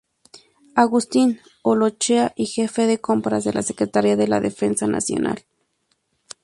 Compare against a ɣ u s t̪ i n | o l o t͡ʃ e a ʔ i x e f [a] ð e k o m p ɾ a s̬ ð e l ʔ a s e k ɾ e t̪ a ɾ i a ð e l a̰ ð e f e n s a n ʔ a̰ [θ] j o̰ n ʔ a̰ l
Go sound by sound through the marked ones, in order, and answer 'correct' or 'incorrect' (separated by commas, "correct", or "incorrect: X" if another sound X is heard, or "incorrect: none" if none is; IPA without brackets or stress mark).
incorrect: e, incorrect: s